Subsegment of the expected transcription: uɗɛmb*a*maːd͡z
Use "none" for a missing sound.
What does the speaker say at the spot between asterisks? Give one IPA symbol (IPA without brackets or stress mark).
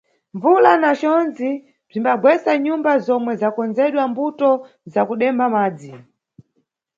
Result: a